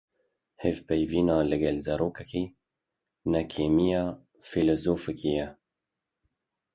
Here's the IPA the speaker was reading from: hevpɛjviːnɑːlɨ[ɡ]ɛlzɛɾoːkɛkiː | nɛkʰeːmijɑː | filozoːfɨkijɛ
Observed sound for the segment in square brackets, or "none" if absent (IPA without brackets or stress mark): ɡ